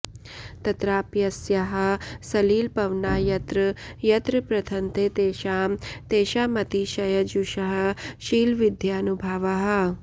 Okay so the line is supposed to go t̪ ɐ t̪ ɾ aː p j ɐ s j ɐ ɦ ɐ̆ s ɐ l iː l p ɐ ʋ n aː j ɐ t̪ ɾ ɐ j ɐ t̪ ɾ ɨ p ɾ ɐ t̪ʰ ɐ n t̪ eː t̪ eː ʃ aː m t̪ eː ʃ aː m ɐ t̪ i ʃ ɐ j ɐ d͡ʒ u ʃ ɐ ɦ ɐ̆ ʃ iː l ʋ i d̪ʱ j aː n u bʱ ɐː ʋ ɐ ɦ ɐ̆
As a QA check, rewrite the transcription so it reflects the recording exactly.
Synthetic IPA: t̪ ɐ t̪ ɾ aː p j ɐ s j ɐ ɦ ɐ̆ s ɐ l iː l p ɐ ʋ n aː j ɐ t̪ ɾ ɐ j ɐ t̪ ɾ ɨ p ɾ ɐ t̪ʰ ɐ n t̪ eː t̪ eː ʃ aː m t̪ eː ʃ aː m ɐ t̪ i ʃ ɐ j ɐ d͡ʒ u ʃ ɐ ɦ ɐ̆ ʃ iː l ʋ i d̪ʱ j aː n u bʱ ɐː ʋ ɐ ɦ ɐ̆

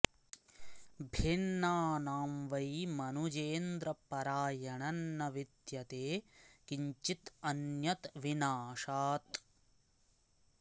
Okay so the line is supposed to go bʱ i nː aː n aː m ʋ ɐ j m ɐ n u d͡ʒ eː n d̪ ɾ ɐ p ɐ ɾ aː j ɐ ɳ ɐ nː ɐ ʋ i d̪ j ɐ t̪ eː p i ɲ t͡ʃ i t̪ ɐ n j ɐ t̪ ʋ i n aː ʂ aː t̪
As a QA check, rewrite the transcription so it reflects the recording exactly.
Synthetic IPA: bʱ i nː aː n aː m ʋ ɐ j m ɐ n u d͡ʒ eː n d̪ ɾ ɐ p ɐ ɾ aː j ɐ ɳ ɐ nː ɐ ʋ i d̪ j ɐ t̪ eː k i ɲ t͡ʃ i t̪ ɐ n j ɐ t̪ ʋ i n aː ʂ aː t̪

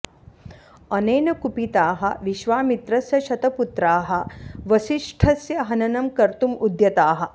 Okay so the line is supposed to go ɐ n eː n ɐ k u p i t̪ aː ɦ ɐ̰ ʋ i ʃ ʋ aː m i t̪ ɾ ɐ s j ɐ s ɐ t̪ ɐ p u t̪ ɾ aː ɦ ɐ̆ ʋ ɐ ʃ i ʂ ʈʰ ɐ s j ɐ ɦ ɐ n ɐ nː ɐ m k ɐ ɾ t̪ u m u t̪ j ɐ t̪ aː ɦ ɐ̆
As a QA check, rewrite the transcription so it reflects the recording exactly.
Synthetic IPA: ɐ n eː n ɐ k u p i t̪ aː ɦ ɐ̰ ʋ i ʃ ʋ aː m i t̪ ɾ ɐ s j ɐ ʃ ɐ t̪ ɐ p u t̪ ɾ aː ɦ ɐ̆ ʋ ɐ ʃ i ʂ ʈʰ ɐ s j ɐ ɦ ɐ n ɐ n ɐ m k ɐ ɾ t̪ u m u d̪ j ɐ t̪ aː ɦ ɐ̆

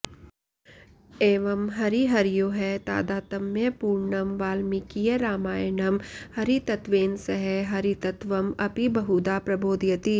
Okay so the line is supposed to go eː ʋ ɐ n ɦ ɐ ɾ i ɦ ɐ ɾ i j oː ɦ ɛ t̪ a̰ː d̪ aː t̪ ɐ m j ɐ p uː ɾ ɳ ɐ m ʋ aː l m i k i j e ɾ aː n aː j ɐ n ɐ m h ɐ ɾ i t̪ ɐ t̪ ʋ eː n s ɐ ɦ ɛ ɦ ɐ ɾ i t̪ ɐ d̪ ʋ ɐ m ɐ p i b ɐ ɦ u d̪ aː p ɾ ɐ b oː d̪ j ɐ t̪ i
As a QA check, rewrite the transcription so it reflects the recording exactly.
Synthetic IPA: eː ʋ ɐ m ɦ ɐ ɾ i ɦ ɐ ɾ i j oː ɦ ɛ t̪ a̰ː d̪ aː t̪ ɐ m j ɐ p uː ɾ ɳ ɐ m ʋ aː l m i k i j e ɾ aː m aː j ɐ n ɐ m h ɐ ɾ i t̪ ɐ t̪ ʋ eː n s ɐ ɦ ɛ ɦ ɐ ɾ i t̪ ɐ t̪ ʋ ɐ m ɐ p i b ɐ ɦ u d̪ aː p ɾ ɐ b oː d̪ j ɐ t̪ i

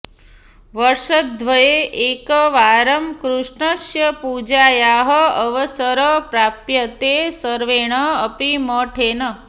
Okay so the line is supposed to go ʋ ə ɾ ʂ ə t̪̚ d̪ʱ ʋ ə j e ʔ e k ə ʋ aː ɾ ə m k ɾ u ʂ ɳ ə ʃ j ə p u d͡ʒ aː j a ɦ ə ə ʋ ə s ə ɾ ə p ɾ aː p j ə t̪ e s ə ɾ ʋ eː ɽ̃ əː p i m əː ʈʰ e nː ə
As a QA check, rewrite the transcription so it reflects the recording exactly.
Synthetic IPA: ʋ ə ɾ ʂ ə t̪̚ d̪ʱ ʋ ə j e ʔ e k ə ʋ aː ɾ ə m k ɾ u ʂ ɳ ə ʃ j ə p u d͡ʒ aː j a ɦ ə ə ʋ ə s ə ɾ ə p ɾ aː p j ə t̪ e s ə ɾ ʋ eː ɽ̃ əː p i m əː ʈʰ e n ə

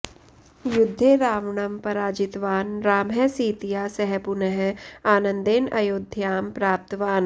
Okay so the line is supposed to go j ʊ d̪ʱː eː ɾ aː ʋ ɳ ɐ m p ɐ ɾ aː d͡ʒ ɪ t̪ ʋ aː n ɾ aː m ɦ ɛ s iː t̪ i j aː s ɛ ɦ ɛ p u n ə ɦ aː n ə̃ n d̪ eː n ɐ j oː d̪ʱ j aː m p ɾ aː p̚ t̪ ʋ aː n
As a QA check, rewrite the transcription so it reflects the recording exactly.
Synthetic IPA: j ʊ d̪ʱː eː ɾ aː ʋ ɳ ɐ m p ɐ ɾ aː d͡ʒ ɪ t̪ ʋ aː n ɾ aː m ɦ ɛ s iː t̪ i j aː s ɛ ɦ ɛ p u n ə ɦ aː n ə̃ n d̪ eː n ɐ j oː d̪ʱ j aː m p ɾ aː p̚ t̪ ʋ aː n

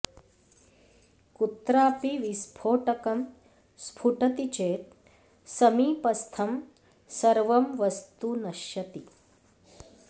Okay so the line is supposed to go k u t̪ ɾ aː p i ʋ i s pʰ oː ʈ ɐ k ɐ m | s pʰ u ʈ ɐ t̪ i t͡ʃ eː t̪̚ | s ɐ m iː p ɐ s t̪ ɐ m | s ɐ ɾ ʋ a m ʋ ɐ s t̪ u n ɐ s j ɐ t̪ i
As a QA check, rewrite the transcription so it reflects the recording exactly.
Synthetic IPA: k u t̪ ɾ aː p i ʋ i s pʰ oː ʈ ɐ k ɐ m | s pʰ u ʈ ɐ t̪ i t͡ʃ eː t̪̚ | s ɐ m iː p ɐ s t̪ʰ ɐ m | s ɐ ɾ ʋ ɐ m ʋ ɐ s t̪ u n ɐ ʃ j ɐ t̪ i

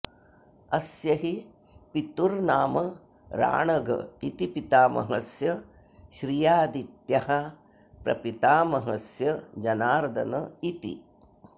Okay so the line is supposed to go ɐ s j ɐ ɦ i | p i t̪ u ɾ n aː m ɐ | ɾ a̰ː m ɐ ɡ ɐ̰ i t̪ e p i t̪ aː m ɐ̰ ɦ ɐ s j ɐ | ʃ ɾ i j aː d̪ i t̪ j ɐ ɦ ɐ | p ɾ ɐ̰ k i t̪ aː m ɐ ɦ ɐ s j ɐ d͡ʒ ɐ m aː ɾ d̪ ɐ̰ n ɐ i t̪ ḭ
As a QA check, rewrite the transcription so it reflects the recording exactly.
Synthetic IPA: ɐ s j ɐ ɦ i | p i t̪ u ɾ n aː m ɐ | ɾ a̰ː ɳ ɐ ɡ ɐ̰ i t̪ i p i t̪ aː m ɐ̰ ɦ ɐ s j ɐ | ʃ ɾ i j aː d̪ i t̪ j ɐ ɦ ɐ | p ɾ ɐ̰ p i t̪ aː m ɐ ɦ ɐ s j ɐ d͡ʒ ɐ n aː ɾ d̪ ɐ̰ n ɐ i t̪ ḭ

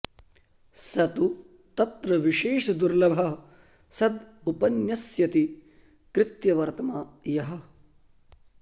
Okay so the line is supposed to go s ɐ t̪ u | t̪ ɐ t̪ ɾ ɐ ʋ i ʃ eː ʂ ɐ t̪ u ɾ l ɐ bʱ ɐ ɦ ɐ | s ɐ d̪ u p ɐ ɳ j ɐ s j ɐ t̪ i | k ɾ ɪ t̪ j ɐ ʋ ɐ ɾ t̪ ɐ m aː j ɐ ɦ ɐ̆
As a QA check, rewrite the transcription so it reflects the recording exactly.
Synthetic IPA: s ɐ t̪ u | t̪ ɐ t̪ ɾ ɐ ʋ i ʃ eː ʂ ɐ d̪ u ɾ l ɐ bʱ ɐ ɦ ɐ | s ɐ d̪ u p ɐ n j ɐ s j ɐ t̪ i | k ɾ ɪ t̪ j ɐ ʋ ɐ ɾ t̪ ɐ m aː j ɐ ɦ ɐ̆

